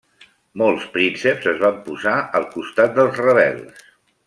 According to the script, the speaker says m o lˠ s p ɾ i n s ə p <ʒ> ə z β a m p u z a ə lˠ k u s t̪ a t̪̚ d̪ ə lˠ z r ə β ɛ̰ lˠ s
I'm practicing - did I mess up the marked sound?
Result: yes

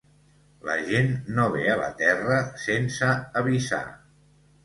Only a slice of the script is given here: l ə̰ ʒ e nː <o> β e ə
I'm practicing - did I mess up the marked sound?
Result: no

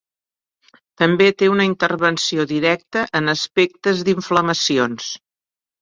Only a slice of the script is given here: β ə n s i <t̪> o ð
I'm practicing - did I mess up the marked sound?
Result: yes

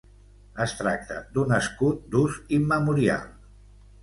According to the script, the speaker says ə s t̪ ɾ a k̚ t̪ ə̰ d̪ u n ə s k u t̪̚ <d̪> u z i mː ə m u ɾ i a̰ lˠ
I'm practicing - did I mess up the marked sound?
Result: no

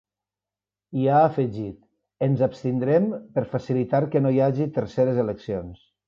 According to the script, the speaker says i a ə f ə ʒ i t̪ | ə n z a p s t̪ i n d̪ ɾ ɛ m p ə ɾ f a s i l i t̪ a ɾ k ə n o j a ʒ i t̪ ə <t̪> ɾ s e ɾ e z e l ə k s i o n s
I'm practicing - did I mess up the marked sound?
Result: yes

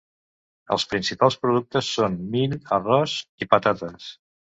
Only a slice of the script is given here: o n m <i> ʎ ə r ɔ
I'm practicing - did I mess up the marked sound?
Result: no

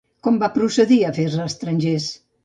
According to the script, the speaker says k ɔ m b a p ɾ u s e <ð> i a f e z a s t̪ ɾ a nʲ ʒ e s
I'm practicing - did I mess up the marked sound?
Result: no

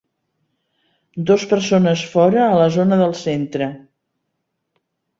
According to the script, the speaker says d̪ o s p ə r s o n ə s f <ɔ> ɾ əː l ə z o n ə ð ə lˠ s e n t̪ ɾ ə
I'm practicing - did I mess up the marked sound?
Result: no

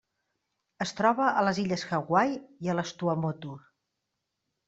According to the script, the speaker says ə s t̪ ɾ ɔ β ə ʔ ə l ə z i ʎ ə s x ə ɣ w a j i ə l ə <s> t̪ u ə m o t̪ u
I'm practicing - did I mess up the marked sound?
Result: no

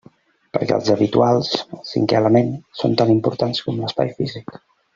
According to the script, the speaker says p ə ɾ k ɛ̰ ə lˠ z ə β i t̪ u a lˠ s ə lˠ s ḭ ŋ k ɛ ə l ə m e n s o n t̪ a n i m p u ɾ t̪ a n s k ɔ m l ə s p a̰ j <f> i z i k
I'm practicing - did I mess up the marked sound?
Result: no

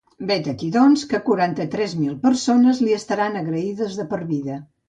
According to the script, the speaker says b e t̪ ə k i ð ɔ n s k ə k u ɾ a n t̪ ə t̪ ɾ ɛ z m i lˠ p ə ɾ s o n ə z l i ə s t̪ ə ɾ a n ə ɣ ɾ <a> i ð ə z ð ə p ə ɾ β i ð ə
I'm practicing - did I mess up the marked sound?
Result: yes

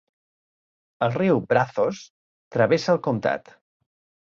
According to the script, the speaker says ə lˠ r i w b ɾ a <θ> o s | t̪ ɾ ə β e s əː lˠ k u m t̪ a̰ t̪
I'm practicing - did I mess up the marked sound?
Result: no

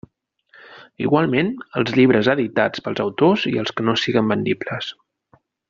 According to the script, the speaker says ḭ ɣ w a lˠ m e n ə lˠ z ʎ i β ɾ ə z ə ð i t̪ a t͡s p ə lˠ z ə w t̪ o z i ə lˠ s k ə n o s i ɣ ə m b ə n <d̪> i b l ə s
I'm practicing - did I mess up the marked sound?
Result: no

